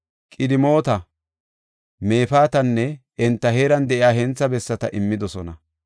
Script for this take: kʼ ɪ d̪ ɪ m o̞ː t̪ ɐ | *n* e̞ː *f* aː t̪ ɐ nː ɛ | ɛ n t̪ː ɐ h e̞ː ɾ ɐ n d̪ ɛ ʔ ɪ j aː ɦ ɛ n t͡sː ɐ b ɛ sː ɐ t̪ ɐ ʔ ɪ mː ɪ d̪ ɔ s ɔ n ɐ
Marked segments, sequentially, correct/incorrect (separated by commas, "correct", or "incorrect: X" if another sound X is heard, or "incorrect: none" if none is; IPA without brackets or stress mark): incorrect: m, correct